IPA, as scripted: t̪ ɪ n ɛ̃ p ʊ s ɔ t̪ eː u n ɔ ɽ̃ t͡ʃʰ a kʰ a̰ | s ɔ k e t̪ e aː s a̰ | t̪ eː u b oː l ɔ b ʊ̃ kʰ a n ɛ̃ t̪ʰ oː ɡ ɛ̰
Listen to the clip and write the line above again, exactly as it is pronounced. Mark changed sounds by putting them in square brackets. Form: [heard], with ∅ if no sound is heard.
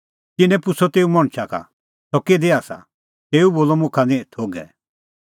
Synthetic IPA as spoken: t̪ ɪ n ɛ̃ p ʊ s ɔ t̪ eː u [m] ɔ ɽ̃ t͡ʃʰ a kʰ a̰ | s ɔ k e [d̪] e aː s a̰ | t̪ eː u b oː l ɔ [m] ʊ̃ kʰ a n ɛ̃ t̪ʰ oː ɡ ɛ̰